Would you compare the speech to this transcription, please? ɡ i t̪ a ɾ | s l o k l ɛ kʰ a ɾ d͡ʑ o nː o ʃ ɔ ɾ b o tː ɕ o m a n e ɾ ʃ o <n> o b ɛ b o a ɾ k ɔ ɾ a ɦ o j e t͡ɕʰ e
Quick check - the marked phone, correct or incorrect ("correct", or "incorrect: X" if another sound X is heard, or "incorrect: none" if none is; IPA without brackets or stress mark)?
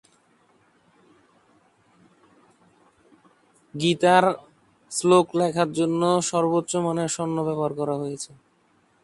incorrect: nː